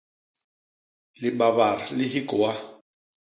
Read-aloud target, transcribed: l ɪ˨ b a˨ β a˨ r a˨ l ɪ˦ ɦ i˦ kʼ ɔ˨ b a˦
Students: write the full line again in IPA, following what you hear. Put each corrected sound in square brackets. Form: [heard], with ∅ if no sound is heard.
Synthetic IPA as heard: l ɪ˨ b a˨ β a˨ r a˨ l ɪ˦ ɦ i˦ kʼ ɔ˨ [w] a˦